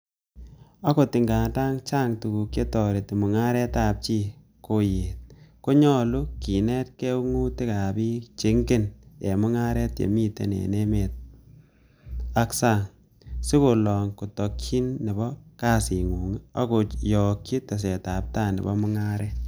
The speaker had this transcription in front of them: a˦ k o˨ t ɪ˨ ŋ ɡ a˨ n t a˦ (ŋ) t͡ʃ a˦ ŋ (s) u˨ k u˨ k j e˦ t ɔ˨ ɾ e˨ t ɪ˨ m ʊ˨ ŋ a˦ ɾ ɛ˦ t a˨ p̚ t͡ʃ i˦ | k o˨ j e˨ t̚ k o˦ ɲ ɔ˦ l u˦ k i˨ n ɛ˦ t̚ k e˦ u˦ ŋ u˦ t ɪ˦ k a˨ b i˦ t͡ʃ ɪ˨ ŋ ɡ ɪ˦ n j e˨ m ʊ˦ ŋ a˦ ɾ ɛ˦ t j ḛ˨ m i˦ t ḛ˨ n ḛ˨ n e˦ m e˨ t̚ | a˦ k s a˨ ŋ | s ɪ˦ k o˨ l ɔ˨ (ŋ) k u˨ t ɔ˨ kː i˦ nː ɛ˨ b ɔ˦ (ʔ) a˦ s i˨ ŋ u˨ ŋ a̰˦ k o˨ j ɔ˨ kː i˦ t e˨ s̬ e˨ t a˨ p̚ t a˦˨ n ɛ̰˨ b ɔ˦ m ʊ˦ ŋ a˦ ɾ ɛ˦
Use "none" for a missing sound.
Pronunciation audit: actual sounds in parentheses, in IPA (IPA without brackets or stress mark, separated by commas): ŋ, t, ŋ, k